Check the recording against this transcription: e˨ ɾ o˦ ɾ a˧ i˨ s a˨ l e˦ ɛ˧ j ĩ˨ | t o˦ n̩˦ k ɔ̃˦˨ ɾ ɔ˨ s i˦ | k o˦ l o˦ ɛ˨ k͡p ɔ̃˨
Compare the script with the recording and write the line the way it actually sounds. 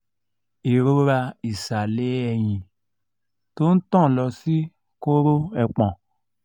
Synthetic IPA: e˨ ɾ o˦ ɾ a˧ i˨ s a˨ l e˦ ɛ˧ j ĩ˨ | t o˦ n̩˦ t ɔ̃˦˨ l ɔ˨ s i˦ | k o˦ ɾ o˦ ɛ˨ k͡p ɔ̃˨